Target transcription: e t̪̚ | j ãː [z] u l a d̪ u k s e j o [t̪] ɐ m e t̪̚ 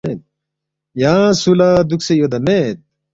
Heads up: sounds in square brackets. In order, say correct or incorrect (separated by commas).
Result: incorrect, incorrect